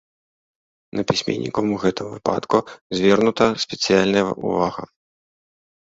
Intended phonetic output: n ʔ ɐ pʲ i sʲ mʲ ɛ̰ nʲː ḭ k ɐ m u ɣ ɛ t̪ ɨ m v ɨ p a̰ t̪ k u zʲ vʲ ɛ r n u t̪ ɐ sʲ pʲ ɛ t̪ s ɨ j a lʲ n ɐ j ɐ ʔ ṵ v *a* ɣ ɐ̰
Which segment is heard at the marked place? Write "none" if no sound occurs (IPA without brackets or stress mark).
a